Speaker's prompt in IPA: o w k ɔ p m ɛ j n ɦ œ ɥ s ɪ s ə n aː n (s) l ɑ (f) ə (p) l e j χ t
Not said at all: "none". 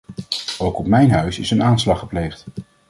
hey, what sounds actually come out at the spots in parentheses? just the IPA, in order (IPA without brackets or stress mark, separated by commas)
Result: s, χ, p